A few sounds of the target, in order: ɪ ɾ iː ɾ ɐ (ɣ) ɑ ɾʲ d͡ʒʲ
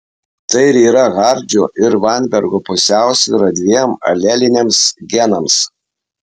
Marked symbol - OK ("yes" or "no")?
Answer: yes